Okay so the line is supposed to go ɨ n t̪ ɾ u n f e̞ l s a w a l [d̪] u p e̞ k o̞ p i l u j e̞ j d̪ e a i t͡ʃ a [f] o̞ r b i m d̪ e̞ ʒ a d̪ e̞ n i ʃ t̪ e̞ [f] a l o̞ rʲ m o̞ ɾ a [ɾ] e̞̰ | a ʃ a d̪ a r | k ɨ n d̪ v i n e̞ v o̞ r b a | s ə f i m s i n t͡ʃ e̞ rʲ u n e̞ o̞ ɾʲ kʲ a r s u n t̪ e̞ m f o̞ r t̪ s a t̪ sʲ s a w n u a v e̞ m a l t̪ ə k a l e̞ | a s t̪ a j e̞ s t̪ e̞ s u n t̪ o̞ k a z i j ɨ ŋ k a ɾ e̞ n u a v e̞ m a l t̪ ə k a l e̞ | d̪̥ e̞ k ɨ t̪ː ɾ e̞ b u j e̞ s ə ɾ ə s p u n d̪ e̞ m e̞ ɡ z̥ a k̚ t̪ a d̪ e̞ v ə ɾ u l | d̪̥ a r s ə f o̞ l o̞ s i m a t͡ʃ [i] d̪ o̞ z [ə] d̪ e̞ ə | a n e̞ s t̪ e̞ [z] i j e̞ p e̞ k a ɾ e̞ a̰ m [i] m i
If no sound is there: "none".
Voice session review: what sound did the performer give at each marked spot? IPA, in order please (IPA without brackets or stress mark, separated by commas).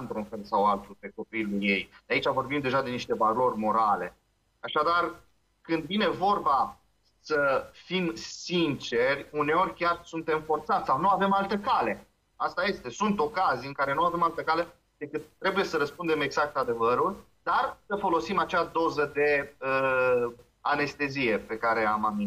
t̪, v, v, l, a, ə, z, a